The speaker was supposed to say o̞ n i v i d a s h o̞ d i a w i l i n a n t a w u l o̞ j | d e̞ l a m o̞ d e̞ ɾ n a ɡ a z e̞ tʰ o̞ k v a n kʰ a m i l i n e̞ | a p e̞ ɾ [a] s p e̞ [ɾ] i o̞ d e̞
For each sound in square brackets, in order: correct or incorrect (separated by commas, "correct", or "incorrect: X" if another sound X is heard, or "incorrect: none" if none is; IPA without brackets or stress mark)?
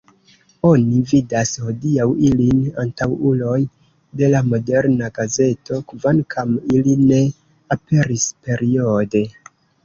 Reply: incorrect: i, correct